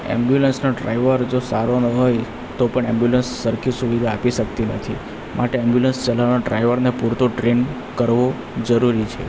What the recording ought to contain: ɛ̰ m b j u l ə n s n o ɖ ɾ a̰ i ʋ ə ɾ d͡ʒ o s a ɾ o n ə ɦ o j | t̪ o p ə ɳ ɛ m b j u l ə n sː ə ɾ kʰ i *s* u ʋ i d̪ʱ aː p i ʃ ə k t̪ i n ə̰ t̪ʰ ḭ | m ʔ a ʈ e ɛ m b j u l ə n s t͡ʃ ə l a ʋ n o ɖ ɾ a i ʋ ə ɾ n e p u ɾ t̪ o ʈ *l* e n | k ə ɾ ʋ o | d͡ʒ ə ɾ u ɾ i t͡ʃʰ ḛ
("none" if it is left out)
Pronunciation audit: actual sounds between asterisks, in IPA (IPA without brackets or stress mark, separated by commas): s, ɾ